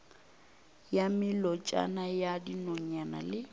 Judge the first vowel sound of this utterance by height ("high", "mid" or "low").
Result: low